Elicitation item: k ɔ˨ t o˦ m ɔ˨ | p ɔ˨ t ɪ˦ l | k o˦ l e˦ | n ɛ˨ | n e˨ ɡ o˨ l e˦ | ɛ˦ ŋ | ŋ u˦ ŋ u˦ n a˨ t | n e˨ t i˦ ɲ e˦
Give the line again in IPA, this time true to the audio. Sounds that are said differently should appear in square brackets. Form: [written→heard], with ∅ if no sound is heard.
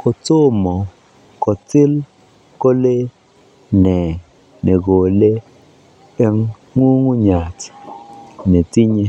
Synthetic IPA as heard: k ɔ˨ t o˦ m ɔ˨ | [p→k] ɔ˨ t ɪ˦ l | k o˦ l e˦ | n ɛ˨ | n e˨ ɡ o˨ l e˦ | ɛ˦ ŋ | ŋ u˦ ŋ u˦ [n→ɲ] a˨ t | n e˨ t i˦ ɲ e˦